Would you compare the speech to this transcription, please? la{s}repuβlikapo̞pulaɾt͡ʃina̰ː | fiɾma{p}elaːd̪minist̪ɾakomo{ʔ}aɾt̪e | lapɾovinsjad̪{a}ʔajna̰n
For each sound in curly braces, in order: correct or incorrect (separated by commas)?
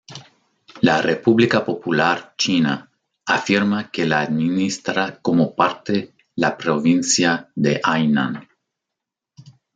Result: incorrect, incorrect, incorrect, incorrect